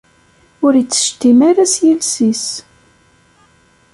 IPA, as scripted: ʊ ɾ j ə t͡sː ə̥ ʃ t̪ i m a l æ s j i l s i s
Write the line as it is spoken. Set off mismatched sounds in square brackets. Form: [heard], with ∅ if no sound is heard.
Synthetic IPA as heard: ʊ ɾ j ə t͡sː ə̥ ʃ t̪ i m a [ɾ] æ s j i l s i s

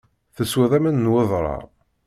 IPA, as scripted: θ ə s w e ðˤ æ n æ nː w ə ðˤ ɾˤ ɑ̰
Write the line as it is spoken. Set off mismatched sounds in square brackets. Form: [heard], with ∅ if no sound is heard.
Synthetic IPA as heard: θ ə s w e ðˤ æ [m] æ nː w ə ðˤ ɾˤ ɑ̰

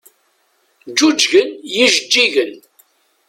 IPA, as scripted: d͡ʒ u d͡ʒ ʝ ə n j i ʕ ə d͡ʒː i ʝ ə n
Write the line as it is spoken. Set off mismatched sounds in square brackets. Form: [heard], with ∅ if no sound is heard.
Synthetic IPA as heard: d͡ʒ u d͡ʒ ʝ ə n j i [ʒ] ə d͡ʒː i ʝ ə n

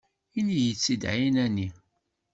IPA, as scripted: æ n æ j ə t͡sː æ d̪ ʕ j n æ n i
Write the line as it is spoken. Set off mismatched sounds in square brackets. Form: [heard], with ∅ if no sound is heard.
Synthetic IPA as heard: [i] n [i] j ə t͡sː [i] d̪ ʕ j n æ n i

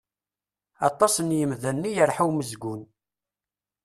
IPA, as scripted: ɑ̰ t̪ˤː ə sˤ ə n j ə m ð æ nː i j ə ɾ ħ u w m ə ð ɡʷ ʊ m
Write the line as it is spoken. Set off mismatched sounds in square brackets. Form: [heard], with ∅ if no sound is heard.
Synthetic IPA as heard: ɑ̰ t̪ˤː [ɑ] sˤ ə n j ə m ð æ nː i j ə ɾ ħ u w m ə [z] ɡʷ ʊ [n]

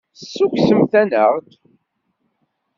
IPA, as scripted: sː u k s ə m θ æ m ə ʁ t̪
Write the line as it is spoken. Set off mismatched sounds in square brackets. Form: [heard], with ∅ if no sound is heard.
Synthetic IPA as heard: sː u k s ə m θ æ [n] ə ʁ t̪

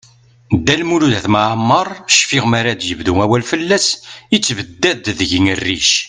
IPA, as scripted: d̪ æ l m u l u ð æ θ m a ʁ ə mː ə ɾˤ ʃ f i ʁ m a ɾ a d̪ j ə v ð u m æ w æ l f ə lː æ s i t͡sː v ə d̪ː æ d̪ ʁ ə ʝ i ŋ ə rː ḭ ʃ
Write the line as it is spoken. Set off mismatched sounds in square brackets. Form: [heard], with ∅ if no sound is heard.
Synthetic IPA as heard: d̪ æ l m u l u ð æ θ m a [ʕ] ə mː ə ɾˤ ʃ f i ʁ m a ɾ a d̪ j ə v ð u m æ w æ l f ə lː æ s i t͡sː v ə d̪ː æ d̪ [ð] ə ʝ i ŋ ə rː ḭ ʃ

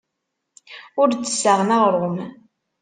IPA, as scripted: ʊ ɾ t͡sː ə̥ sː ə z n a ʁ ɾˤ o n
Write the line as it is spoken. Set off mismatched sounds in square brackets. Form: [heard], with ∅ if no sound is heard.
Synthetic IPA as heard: ʊ ɾ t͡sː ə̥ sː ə [ʁ] n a ʁ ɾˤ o [m]

